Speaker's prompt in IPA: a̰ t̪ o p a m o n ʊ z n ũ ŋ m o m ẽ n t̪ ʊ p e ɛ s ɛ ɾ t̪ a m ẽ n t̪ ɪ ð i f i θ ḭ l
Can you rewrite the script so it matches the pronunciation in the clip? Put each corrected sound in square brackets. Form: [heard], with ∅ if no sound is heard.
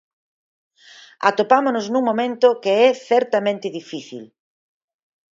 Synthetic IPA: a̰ t̪ o p a m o n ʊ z n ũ ŋ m o m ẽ n t̪ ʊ [k] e ɛ [θ] ɛ ɾ t̪ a m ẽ n t̪ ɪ ð i f i θ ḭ l